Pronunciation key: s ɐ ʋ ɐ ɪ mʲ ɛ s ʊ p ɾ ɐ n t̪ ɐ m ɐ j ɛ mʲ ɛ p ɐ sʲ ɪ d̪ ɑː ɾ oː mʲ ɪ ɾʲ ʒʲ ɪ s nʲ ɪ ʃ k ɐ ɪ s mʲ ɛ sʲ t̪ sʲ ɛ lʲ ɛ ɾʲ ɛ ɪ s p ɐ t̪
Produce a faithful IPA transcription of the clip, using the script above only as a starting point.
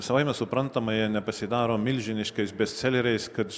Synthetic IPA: s ɐ ʋ ɐ ɪ mʲ ɛ s ʊ p ɾ ɐ n t̪ ɐ m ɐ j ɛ nʲ ɛ p ɐ sʲ ɪ d̪ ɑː ɾ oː mʲ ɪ lʲ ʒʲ ɪ nʲ ɪ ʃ k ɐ ɪ s bʲ ɛ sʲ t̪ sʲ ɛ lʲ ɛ ɾʲ ɛ ɪ s k ɐ t̪